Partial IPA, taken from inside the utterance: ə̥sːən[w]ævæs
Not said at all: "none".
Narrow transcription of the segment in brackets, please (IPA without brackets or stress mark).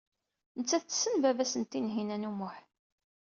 v